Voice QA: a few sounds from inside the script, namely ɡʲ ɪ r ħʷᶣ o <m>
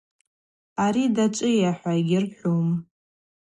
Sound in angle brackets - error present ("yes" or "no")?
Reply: no